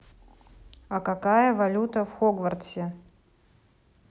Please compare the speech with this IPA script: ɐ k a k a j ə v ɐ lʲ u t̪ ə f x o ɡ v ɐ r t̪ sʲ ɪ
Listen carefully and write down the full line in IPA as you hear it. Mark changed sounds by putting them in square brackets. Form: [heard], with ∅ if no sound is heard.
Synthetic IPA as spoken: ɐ k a k a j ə v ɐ lʲ u t̪ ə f x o ɡ v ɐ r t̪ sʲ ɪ

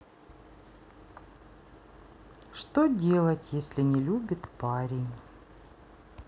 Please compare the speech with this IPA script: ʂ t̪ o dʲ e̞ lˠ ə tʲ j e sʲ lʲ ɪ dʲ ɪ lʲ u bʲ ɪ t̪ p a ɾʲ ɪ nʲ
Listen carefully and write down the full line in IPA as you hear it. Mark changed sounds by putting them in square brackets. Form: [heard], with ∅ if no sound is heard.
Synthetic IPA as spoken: ʂ t̪ o dʲ e̞ lˠ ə tʲ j e sʲ lʲ ɪ [nʲ] ɪ lʲ u bʲ ɪ t̪ p a ɾʲ ɪ nʲ

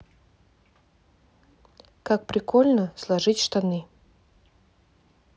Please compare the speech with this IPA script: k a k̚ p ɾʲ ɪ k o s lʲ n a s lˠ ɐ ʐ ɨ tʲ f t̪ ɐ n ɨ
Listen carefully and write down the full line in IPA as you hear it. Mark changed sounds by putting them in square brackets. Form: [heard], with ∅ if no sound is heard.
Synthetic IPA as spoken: k a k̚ p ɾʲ ɪ k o [∅] lʲ n [ə] s lˠ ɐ ʐ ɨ tʲ [ʂ] t̪ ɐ n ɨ

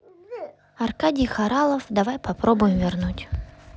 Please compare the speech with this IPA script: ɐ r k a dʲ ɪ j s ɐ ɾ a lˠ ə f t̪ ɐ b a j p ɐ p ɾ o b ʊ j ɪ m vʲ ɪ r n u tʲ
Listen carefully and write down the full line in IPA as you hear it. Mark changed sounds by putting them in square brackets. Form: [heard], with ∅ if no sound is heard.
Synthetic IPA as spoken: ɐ r k a dʲ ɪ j [x] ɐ ɾ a lˠ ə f [d̪] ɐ [v] a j p ɐ p ɾ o b ʊ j ɪ m vʲ ɪ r n u tʲ

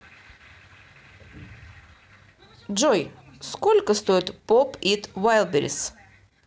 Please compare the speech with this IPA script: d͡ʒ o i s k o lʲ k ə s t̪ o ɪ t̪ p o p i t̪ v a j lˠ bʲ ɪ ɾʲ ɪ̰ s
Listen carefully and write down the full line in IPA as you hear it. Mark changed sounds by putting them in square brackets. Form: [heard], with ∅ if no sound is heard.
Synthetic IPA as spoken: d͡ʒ o [j] s k o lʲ k ə s t̪ o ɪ t̪ p o p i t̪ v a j lˠ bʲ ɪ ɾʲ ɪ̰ s

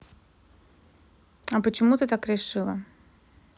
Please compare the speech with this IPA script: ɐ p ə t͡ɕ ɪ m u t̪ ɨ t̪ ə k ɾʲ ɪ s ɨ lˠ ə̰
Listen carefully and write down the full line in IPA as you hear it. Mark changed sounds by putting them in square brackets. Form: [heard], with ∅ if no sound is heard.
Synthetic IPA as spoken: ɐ p ə t͡ɕ ɪ m u t̪ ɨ t̪ [a] k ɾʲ ɪ [ʂ] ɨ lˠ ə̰

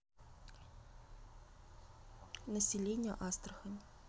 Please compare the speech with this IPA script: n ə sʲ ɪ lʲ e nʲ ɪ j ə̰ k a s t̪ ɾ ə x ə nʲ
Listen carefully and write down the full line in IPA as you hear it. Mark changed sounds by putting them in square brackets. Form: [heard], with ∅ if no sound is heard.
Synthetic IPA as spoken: n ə sʲ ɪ lʲ e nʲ ɪ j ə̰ [ʔ] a s t̪ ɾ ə x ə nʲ

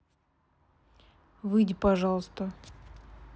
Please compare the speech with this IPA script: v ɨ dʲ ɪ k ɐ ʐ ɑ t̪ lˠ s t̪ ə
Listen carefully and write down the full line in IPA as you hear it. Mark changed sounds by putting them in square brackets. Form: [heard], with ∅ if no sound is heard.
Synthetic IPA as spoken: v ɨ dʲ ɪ [p] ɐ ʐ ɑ [∅] lˠ s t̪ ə

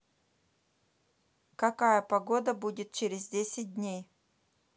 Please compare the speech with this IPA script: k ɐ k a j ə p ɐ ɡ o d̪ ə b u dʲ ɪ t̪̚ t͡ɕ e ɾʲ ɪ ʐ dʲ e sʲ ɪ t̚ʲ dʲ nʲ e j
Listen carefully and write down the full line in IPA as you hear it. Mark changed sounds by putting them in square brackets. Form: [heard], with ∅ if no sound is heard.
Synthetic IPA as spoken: k ɐ k a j ə p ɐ ɡ o d̪ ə b u dʲ ɪ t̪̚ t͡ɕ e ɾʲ ɪ [z] dʲ e sʲ ɪ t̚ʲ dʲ nʲ e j

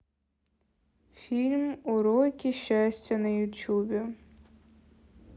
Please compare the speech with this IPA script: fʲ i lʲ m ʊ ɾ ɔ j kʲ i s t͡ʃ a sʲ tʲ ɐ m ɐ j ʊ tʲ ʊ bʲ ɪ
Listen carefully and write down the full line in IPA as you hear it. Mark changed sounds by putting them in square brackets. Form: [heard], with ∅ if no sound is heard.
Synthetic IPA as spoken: fʲ i lʲ m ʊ ɾ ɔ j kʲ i [ʃ] t͡ʃ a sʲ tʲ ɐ [n] ɐ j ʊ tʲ [u] bʲ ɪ

